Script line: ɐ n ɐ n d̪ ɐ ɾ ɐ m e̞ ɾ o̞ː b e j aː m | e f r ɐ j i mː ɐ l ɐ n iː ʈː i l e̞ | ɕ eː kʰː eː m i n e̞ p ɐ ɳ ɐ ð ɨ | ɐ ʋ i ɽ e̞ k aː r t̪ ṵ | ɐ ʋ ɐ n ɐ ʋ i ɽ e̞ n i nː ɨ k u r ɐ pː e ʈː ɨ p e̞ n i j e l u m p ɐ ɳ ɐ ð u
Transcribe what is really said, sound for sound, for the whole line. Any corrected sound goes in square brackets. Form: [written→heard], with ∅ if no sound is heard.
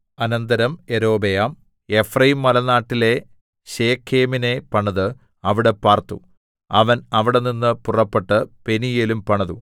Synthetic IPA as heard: ɐ n ɐ n d̪ ɐ ɾ ɐ m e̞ ɾ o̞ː b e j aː m | e f r ɐ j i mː ɐ l ɐ n [iː→aː] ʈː i l e̞ | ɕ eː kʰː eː m i n e̞ p ɐ ɳ ɐ ð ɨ | ɐ ʋ i ɽ e̞ [k→p] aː r t̪ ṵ | ɐ ʋ ɐ n ɐ ʋ i ɽ e̞ n i nː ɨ [k→p] u r ɐ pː e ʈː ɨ p e̞ n i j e l u m p ɐ ɳ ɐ ð u